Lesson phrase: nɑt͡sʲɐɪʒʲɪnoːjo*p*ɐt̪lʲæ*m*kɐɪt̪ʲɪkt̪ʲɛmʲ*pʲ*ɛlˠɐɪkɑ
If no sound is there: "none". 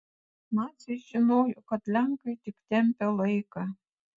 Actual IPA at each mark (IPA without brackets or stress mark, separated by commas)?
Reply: k, ŋ, pʲ